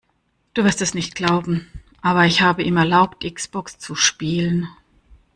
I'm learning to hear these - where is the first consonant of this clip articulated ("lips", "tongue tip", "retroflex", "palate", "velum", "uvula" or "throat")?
tongue tip